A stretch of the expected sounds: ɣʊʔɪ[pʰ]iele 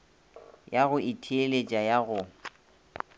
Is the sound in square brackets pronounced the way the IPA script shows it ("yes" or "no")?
no